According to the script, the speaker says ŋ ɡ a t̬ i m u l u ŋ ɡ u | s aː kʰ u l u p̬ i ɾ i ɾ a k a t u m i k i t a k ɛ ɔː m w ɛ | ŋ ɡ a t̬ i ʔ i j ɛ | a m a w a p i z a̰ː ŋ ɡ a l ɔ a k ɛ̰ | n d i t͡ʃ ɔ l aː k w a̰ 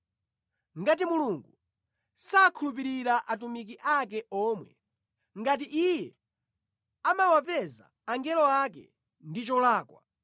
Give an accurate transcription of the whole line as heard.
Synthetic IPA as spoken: ŋ ɡ a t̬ i m u l u ŋ ɡ u | s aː kʰ u l u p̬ i ɾ i ɾ a ʔ a t u m i k i ʔ a k ɛ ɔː m w ɛ | ŋ ɡ a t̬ i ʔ i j ɛ | a m a w a p ɛ z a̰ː ŋ ɡ ɛ l ɔ a k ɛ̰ | n d i t͡ʃ ɔ l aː k w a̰